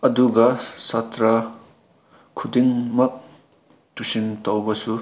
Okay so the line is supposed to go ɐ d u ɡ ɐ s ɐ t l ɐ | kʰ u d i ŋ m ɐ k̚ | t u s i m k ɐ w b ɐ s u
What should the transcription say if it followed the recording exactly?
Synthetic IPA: ɐ d u ɡ ɐ s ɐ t ɾ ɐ | kʰ u d i ŋ m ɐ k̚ | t u s i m t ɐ w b ɐ s u